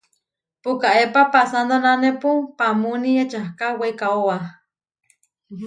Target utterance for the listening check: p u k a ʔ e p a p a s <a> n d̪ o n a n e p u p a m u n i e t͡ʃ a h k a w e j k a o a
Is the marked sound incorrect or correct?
correct